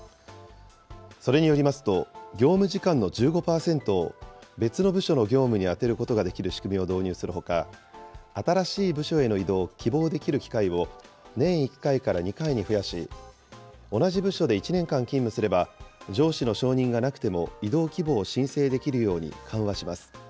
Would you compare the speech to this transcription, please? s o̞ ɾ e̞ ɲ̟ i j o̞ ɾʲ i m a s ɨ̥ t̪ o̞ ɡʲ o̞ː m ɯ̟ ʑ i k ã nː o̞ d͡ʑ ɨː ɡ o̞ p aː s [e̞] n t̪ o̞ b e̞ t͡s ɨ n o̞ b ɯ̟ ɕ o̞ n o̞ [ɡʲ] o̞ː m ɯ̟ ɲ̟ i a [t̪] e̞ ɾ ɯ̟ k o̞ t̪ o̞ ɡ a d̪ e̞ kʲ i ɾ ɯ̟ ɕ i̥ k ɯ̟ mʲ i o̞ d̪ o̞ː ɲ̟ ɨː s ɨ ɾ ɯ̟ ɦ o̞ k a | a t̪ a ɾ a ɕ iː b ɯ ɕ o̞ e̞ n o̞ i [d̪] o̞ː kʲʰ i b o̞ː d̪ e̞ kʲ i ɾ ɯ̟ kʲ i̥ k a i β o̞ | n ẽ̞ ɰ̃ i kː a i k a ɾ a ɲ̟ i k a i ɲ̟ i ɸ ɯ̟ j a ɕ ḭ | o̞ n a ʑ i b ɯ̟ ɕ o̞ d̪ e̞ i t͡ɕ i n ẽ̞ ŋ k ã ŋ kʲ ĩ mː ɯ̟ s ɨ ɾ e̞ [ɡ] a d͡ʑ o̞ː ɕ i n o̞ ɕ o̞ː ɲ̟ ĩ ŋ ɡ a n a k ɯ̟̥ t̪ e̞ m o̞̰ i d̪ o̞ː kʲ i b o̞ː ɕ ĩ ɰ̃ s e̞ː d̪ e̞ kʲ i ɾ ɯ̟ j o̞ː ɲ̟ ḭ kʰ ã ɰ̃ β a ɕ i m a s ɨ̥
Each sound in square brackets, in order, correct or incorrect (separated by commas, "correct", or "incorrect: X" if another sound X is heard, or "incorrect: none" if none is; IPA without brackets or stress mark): incorrect: ẽ̞, correct, correct, correct, incorrect: b